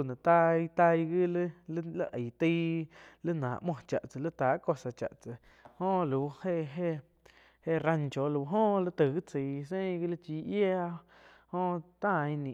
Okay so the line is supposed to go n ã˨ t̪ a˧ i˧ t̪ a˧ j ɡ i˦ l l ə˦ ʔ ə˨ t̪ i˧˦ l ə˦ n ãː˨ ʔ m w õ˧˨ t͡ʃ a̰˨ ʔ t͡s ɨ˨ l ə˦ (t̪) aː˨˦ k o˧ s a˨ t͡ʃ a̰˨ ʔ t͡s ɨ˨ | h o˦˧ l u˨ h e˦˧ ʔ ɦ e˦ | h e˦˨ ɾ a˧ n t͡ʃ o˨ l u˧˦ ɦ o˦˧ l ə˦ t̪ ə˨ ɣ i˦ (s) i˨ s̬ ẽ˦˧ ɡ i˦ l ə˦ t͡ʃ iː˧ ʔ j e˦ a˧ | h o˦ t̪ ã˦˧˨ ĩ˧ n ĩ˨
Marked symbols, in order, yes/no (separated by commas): yes, no